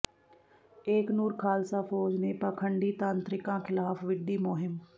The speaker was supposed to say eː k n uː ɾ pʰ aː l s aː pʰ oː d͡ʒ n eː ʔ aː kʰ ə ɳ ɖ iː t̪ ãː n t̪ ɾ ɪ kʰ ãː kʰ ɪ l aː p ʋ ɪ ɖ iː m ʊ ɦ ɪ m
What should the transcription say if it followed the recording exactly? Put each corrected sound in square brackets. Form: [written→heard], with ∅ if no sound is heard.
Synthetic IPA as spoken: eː k n uː ɾ [pʰ→kʰ] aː l s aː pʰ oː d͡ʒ n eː [ʔ→p] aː kʰ ə ɳ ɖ iː t̪ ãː n t̪ ɾ ɪ [kʰ→k] ãː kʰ ɪ l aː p ʋ ɪ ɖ iː m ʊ ɦ ɪ m